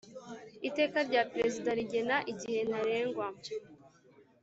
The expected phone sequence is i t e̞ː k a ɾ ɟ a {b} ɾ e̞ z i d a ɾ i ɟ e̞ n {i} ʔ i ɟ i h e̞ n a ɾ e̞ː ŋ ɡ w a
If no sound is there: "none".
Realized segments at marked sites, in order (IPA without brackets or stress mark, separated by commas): p, a